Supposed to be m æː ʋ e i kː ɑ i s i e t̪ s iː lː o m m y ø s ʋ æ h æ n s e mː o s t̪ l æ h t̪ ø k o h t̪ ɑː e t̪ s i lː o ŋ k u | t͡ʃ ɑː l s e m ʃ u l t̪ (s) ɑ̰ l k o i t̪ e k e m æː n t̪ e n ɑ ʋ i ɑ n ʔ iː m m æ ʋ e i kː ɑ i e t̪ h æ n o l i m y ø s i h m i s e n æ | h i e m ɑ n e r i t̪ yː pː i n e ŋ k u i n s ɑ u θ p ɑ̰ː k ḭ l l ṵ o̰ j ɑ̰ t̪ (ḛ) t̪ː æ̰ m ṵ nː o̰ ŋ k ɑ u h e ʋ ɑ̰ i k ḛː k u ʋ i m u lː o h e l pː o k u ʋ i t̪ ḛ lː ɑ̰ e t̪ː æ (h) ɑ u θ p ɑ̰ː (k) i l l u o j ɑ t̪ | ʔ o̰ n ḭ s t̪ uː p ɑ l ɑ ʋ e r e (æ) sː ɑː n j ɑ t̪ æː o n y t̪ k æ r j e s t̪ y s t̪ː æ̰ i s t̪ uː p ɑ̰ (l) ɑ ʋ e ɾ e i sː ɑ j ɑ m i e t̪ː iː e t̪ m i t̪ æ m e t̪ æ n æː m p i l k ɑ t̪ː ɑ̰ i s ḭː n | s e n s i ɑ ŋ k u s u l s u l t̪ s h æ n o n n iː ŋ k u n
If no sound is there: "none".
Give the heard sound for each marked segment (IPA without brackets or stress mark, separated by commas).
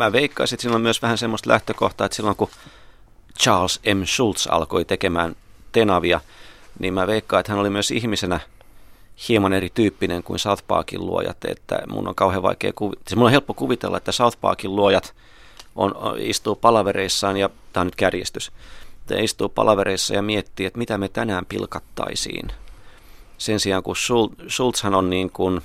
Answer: s, ḛ, s, k, i, l